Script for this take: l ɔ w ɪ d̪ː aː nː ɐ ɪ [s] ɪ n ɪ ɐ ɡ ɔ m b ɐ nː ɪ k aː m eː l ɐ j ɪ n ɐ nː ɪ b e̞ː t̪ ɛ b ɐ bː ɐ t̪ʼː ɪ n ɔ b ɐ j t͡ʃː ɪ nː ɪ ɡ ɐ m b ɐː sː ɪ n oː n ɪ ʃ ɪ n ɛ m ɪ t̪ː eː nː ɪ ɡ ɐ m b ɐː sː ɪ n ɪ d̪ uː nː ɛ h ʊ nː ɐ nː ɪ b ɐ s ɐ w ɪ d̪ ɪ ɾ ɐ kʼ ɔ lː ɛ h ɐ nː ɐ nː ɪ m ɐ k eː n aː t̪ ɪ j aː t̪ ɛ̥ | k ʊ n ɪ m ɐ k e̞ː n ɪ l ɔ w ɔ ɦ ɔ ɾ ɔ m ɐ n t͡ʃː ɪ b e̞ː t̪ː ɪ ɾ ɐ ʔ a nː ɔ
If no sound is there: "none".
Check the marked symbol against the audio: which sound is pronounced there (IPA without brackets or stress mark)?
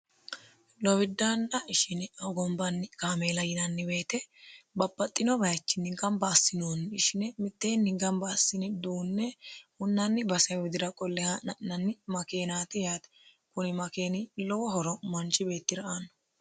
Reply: ʃ